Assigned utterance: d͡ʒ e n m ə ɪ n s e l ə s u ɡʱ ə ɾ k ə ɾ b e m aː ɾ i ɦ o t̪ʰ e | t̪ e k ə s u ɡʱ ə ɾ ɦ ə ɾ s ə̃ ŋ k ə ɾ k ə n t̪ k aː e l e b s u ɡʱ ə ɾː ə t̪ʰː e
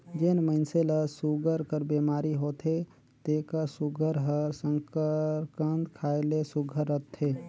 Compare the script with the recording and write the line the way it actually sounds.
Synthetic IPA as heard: d͡ʒ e n m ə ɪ n s e l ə s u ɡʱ ə ɾ k ə ɾ b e m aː ɾ i ɦ o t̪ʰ e | t̪ e k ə s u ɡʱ ə ɾ ɦ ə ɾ s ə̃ ŋ k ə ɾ k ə n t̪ kʰ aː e l e s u ɡʱ ə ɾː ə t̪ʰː e